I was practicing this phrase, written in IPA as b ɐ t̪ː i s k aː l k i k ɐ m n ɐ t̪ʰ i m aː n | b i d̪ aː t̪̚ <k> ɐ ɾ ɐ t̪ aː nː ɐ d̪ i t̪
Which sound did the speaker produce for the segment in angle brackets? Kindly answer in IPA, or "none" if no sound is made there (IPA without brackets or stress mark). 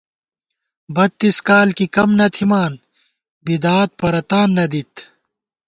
p